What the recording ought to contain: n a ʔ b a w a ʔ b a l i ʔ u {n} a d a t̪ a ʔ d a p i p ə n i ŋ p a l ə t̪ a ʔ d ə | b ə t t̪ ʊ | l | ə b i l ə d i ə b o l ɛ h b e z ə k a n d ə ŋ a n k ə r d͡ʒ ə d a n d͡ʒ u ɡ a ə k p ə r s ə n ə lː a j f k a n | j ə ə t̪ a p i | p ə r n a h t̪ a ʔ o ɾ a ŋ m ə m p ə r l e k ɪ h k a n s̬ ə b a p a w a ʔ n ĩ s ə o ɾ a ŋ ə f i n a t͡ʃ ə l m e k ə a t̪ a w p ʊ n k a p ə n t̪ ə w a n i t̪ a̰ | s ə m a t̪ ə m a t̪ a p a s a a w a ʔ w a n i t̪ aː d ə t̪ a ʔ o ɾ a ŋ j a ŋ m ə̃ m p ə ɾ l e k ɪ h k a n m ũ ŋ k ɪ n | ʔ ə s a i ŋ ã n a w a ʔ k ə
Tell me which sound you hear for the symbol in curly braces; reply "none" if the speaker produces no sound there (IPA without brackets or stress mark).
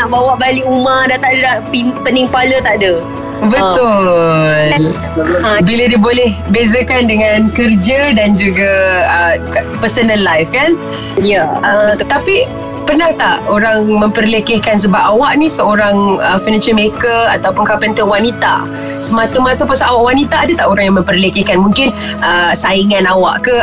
m